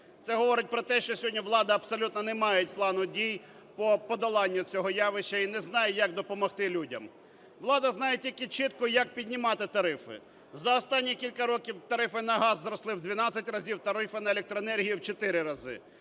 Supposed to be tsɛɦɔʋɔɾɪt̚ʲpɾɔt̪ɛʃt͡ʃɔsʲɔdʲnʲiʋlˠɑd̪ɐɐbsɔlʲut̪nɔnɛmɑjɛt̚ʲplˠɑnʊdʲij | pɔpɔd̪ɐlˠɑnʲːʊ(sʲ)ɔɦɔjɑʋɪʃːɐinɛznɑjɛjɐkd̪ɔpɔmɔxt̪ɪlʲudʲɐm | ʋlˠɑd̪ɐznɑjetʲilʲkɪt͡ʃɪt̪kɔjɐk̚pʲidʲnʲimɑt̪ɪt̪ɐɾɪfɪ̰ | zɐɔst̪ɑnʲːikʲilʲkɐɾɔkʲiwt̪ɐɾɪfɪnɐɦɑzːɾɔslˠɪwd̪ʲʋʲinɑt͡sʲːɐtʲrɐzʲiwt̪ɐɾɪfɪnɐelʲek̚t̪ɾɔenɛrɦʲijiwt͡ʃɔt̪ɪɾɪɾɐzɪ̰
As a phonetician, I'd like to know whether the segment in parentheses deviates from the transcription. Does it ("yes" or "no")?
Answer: yes